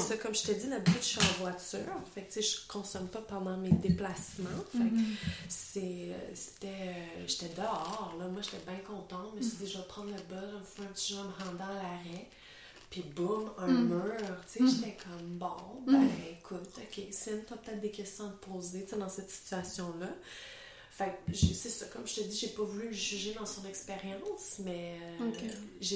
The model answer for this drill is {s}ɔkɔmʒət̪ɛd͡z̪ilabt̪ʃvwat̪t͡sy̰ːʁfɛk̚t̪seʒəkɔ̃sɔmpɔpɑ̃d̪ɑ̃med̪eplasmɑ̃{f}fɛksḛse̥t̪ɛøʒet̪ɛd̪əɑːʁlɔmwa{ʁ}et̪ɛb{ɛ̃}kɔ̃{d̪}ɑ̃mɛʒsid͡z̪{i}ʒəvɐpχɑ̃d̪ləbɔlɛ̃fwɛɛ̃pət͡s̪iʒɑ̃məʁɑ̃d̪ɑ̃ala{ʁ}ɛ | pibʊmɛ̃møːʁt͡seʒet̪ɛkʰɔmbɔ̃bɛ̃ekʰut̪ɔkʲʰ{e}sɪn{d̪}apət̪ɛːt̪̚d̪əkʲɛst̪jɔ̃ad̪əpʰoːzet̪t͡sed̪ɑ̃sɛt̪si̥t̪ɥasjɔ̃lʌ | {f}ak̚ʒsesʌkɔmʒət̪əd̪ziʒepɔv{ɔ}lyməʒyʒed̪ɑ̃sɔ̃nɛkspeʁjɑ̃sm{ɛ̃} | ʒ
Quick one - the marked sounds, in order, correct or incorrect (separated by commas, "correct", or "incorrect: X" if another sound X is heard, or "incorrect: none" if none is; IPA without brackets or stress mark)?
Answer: correct, correct, incorrect: ʒ, correct, incorrect: t̪, correct, correct, correct, incorrect: t̪, correct, incorrect: u, incorrect: ɛ